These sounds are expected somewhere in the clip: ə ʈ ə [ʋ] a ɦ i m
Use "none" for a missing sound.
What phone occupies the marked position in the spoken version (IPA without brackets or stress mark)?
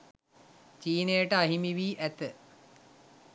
none